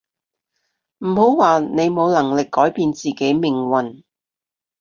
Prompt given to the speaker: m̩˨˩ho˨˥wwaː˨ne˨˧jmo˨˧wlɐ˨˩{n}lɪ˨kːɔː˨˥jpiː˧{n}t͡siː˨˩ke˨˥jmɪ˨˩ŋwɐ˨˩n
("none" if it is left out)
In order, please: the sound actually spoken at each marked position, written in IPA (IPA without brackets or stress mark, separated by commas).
ŋ, n